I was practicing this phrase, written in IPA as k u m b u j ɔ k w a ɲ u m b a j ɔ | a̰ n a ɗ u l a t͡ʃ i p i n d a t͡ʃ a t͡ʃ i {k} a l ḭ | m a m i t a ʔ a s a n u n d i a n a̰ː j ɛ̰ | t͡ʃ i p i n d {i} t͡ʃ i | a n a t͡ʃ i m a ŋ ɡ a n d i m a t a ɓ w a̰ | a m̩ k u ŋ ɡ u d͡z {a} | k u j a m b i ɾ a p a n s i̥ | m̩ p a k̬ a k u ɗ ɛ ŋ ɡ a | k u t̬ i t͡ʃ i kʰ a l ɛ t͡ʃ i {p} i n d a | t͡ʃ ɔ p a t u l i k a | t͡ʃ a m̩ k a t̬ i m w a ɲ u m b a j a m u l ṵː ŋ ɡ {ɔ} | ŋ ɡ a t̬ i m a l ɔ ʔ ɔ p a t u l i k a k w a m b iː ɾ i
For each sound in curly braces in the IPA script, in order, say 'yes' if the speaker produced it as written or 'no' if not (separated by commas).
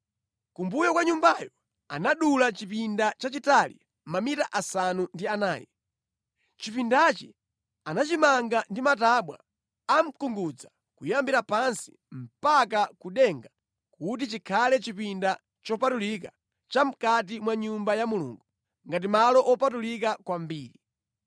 no, no, yes, yes, no